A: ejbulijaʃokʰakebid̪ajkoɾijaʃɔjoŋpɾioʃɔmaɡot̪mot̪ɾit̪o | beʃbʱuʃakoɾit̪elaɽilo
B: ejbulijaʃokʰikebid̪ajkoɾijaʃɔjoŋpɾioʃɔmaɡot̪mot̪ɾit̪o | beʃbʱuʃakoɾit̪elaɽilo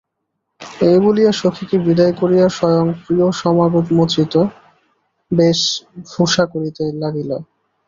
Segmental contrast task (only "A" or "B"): B